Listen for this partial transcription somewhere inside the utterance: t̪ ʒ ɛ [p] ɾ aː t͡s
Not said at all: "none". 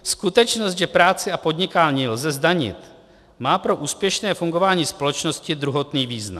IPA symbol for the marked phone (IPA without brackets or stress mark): p